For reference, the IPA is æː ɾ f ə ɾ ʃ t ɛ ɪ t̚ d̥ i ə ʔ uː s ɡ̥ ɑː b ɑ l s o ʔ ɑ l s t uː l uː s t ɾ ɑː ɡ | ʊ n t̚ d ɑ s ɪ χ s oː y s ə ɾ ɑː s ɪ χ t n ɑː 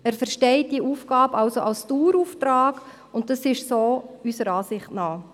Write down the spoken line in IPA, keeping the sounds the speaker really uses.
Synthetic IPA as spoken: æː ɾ f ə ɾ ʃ t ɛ ɪ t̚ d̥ i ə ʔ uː f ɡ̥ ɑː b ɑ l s o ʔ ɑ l s t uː ɾ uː f t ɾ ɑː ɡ | ʊ n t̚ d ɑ s ɪ ʃ s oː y s ə ɾ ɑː s ɪ χ t n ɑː